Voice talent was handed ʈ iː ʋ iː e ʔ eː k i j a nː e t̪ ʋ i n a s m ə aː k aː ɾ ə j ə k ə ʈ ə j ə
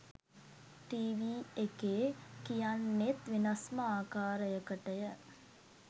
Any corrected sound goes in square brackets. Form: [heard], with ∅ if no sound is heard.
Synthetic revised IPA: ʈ iː ʋ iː e [k] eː k i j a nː e t̪ ʋ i n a s m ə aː k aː ɾ ə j ə k ə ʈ ə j ə